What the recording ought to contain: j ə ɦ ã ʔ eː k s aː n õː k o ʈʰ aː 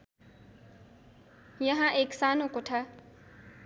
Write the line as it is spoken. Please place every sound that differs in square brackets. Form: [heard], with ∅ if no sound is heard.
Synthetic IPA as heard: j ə ɦ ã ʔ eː k s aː n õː k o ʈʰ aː